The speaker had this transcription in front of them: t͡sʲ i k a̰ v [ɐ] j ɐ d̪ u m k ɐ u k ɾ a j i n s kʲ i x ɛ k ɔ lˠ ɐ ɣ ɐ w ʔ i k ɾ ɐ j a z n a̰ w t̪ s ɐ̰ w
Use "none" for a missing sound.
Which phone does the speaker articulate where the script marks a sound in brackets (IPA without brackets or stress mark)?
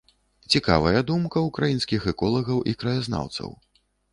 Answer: ɐ